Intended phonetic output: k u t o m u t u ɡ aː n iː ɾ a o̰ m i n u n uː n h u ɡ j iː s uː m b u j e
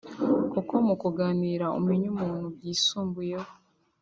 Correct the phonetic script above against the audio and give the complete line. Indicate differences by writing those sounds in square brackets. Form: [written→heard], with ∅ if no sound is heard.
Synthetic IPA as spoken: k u [t→k] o m u [t→k] u ɡ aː n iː ɾ a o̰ m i [n→ɲ] u [n→m] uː n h u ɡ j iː s uː m b u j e